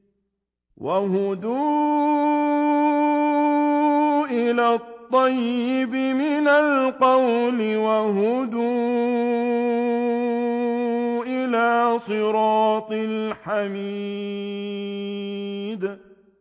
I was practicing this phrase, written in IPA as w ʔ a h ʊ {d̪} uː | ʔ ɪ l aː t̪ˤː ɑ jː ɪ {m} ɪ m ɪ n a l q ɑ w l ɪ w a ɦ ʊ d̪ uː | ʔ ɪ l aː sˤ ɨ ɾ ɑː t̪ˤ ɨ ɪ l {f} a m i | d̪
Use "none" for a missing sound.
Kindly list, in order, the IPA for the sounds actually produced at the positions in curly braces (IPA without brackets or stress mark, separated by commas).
d̪, b, ħ